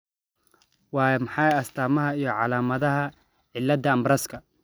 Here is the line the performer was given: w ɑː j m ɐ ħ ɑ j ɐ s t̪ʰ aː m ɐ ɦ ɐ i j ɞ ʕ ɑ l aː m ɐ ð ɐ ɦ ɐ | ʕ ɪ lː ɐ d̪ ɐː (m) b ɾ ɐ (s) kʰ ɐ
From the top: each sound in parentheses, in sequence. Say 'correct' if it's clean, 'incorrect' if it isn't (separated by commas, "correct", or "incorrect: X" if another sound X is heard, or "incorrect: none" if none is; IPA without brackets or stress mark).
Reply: correct, correct